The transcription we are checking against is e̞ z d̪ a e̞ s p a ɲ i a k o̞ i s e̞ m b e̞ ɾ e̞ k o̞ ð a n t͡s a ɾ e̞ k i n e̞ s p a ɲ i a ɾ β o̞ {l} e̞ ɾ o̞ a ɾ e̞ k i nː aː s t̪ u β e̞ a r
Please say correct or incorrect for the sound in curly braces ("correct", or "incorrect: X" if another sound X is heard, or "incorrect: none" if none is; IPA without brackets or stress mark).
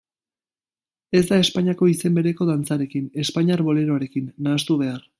correct